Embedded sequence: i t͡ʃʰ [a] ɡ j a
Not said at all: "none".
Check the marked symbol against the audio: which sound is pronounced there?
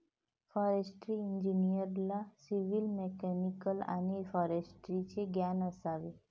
e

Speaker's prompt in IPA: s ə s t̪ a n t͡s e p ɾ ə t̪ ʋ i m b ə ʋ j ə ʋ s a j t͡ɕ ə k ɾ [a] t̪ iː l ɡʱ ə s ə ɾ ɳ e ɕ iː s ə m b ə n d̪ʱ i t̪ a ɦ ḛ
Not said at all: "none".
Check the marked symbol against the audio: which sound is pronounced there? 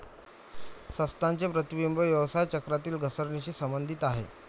a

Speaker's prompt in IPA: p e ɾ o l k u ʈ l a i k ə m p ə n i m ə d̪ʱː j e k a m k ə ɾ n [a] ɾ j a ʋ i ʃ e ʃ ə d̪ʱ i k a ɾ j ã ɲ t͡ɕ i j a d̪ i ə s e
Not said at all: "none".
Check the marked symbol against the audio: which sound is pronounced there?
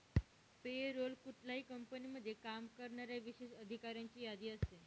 a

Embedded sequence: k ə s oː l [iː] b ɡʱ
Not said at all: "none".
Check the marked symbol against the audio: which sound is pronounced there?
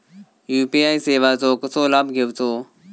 aː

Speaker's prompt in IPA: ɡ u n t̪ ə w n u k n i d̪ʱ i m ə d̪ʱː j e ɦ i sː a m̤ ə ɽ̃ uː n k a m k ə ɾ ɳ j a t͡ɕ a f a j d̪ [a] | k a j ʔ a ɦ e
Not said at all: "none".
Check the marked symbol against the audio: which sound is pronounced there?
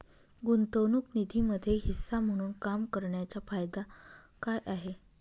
a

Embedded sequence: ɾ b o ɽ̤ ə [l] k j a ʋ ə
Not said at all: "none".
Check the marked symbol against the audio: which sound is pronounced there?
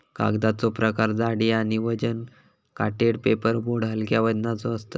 l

